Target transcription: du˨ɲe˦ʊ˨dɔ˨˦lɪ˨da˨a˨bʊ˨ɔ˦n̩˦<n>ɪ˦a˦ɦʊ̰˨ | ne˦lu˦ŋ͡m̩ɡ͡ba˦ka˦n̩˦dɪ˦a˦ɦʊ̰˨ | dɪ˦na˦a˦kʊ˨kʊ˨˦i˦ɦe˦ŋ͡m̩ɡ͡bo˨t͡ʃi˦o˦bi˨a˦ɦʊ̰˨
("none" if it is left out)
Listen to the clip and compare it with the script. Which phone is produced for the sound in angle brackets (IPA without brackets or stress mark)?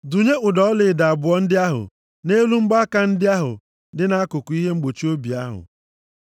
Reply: d